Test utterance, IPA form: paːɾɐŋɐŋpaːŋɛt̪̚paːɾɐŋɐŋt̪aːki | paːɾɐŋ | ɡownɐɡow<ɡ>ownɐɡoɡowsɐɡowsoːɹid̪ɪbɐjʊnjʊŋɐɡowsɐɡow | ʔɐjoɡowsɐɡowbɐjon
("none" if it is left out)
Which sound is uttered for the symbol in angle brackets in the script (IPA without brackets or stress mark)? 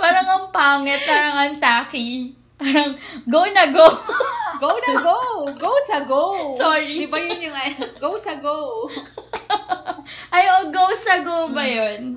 ɡ